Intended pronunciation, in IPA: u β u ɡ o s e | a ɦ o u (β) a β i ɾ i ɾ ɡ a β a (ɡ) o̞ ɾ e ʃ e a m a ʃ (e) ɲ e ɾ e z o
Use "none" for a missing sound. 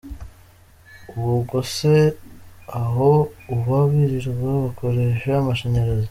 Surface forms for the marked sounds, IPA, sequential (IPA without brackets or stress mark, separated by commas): β, k, e